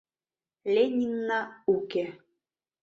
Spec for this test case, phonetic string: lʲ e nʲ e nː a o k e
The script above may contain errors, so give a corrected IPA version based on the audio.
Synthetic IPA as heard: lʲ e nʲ i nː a u k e